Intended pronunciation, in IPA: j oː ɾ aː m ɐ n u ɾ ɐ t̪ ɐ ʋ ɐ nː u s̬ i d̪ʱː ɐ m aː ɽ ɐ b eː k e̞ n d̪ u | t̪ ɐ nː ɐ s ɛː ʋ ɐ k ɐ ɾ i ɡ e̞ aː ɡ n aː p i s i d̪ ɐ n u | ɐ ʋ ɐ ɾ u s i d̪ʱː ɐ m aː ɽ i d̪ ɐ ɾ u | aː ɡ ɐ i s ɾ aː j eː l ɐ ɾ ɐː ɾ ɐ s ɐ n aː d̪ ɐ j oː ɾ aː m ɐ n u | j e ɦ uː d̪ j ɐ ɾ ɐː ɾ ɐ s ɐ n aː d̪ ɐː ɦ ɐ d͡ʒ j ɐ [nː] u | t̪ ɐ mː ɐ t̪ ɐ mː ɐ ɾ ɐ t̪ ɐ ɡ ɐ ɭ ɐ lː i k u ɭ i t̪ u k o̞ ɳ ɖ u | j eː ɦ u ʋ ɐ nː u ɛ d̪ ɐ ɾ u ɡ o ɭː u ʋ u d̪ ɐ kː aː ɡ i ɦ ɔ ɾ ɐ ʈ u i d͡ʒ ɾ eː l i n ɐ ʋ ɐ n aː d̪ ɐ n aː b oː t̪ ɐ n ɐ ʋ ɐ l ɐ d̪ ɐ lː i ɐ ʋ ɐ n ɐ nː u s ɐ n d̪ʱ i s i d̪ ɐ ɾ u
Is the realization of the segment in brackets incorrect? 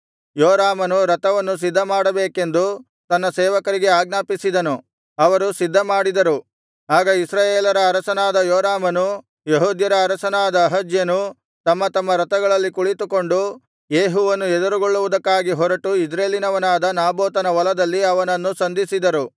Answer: yes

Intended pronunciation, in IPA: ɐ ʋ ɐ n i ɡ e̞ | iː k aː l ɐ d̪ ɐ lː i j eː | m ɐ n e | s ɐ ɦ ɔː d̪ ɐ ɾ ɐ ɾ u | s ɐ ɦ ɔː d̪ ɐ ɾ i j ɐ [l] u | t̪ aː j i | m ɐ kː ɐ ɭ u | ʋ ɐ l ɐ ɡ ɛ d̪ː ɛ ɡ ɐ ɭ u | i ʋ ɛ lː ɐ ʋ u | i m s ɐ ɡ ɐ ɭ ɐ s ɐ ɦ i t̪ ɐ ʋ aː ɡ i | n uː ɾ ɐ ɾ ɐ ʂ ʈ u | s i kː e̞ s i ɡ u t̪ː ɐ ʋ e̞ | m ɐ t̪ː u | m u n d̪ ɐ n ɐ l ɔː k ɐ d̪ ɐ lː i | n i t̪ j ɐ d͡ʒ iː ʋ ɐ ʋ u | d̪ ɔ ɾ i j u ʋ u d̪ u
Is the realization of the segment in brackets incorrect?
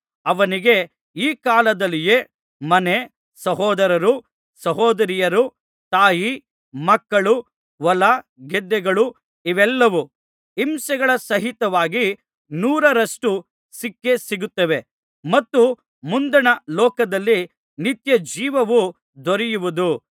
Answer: yes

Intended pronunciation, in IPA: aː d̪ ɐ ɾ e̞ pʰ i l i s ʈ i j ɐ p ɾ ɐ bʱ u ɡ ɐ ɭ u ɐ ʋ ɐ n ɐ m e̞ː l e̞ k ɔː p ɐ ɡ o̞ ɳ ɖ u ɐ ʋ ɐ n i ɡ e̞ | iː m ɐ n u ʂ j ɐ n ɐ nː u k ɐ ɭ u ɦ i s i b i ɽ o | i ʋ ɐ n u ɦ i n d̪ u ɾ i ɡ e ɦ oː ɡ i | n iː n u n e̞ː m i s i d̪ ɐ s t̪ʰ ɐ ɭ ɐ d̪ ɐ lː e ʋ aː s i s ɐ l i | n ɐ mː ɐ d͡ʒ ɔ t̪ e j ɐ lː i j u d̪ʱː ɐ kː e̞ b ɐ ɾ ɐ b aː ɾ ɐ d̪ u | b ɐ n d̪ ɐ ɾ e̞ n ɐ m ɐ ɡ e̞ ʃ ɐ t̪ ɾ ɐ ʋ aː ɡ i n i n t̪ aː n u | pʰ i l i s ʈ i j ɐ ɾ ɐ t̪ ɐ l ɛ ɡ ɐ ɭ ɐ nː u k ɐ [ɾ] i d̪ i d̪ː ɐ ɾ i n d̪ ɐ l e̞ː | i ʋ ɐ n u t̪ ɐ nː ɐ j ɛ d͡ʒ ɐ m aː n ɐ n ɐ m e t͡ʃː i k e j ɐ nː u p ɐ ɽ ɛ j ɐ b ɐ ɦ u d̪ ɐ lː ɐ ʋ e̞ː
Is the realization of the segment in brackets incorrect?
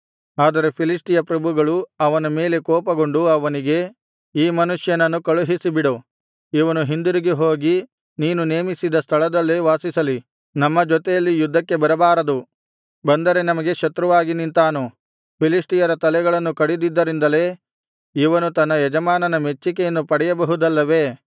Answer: yes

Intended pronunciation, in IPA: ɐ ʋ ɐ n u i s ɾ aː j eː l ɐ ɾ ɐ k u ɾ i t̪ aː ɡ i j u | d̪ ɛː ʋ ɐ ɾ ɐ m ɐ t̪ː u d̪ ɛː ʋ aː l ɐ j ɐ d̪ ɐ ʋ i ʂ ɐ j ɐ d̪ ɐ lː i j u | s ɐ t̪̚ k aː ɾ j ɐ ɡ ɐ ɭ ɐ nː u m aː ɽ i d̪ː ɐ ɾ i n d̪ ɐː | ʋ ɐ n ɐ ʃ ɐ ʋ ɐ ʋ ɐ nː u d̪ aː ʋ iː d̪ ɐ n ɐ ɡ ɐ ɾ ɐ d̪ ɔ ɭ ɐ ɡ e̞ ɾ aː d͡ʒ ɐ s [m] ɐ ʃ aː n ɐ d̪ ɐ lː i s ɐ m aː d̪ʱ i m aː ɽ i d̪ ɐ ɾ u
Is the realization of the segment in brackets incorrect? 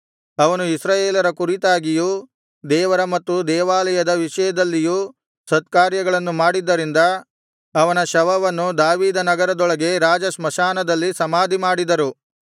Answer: no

